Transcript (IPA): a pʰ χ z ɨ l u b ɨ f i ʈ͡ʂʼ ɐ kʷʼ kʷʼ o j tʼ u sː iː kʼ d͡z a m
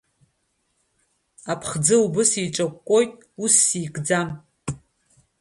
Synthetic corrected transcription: a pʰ χ d͡z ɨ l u b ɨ s i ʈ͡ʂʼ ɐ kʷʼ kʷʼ o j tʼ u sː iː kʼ d͡z a m